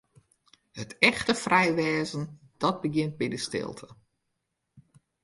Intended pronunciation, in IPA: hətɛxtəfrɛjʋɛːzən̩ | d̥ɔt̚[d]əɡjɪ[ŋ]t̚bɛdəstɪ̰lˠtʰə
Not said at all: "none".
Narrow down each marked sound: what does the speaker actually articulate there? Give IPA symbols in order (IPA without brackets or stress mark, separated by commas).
b, n